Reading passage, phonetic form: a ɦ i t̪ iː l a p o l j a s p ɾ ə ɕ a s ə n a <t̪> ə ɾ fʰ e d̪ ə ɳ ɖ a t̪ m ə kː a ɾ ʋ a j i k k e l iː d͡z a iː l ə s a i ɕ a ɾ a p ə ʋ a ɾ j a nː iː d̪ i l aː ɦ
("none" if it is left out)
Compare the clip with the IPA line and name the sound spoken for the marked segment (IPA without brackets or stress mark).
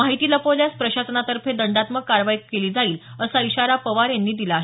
t̪